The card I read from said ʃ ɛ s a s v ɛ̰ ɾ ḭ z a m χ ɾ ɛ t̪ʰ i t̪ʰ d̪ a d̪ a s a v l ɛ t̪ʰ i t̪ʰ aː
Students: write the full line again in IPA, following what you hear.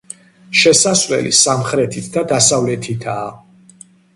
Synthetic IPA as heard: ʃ ɛ s a s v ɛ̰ l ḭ s a m χ ɾ ɛ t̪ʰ i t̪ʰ d̪ a d̪ a s a v l ɛ t̪ʰ i t̪ʰ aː